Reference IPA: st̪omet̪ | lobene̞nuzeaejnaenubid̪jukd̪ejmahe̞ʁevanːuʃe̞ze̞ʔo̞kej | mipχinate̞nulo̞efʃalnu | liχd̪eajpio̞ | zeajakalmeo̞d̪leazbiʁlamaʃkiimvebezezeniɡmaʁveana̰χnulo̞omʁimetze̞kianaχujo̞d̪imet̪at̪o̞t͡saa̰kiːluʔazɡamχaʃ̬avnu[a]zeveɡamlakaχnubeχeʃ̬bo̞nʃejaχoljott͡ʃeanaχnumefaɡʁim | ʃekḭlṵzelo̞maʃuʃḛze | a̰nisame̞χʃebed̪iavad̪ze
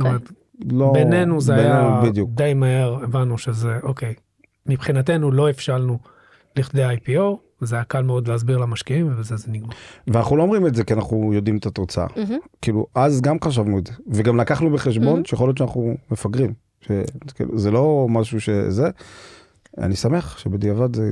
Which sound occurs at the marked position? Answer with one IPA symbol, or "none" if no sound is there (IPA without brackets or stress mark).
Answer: e